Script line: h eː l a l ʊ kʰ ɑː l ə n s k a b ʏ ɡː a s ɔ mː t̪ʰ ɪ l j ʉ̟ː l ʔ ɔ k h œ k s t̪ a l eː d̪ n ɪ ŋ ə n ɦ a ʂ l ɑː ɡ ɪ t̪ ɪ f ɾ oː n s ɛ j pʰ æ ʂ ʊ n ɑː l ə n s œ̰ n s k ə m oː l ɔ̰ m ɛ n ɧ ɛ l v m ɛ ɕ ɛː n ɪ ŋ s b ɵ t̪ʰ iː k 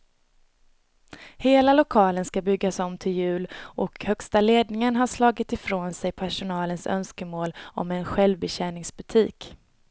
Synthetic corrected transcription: h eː l a l ʊ kʰ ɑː l ə n s k a b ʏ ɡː a s ɔ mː t̪ʰ ɪ l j ʉ̟ː l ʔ ɔ k h œ k s t̪ a l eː d̪ n ɪ ŋ ə n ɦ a ʂ l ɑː ɡ ɪ t̪ ɪ f ɾ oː n s ɛ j pʰ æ ʂ ʊ n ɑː l ə n s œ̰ n s k ə m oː l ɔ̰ m ɛ n ɧ ɛ l v b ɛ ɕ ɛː n ɪ ŋ s b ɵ t̪ʰ iː k